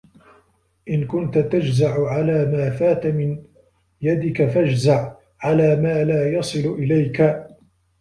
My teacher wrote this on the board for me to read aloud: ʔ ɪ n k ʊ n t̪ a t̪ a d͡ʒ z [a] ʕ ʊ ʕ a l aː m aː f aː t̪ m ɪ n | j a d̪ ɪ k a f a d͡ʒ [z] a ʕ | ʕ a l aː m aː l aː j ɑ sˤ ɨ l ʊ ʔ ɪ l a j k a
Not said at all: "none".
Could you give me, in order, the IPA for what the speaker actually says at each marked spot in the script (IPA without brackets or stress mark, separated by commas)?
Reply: a, z